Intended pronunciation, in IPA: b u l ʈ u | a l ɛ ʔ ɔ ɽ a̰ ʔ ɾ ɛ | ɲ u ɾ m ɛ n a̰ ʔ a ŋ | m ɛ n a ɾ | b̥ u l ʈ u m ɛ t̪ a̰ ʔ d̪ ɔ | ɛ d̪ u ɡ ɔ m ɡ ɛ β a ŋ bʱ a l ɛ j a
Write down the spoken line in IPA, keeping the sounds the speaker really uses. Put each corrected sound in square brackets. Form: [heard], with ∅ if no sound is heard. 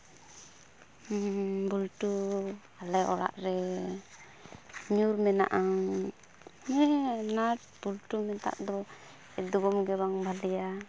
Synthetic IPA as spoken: b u l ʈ u | a l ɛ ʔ ɔ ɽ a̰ ʔ ɾ ɛ | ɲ u ɾ m ɛ n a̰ ʔ a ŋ | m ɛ n a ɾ | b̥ u l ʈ u m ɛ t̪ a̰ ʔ d̪ ɔ | ɛ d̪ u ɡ ɔ m ɡ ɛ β a ŋ bʱ a l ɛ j a